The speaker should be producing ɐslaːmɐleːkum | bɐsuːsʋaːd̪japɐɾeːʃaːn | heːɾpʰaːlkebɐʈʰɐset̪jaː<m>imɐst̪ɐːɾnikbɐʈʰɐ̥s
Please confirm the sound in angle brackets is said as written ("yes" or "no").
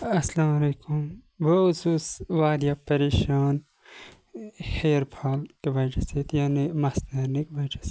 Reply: no